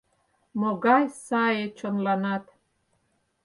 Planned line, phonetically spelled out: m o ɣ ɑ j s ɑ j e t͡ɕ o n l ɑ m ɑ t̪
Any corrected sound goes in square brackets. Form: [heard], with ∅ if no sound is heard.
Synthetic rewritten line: m o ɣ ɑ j s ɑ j e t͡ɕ o n l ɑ [n] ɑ t̪